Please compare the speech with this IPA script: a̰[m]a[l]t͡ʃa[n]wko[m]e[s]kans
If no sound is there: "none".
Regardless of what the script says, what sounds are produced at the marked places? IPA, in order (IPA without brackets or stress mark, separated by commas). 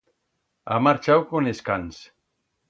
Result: m, ɾ, none, n, s